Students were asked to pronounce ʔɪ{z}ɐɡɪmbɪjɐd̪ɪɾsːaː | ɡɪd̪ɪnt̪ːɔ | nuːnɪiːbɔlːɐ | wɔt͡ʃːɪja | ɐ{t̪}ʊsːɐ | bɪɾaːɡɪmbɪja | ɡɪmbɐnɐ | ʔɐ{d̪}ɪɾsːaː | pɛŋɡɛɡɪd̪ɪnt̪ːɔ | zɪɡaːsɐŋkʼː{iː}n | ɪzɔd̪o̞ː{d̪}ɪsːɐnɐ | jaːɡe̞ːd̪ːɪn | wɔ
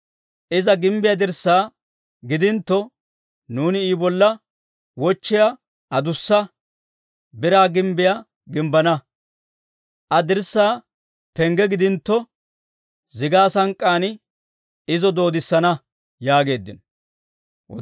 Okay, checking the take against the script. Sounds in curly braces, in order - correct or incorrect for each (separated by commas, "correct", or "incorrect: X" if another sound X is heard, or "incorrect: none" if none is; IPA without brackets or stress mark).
correct, incorrect: d̪, correct, incorrect: aː, correct